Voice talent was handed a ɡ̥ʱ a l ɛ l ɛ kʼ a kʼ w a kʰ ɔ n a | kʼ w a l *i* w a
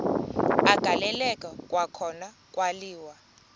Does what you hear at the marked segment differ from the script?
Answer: yes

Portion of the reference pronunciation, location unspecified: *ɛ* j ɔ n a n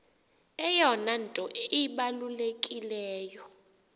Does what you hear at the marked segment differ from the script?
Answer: no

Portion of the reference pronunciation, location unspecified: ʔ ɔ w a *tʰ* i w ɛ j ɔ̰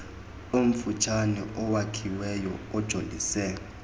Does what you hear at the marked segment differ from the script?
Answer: yes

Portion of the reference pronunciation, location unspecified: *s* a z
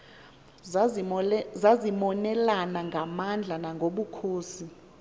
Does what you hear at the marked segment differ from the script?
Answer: yes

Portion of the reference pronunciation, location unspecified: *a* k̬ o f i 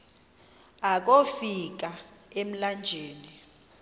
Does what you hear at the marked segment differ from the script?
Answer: no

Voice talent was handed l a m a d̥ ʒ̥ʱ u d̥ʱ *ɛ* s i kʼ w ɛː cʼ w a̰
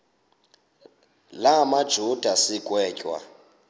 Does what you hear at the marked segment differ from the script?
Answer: yes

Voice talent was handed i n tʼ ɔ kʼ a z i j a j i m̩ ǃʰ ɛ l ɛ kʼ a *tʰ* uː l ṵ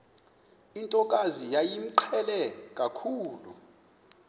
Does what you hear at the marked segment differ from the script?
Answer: yes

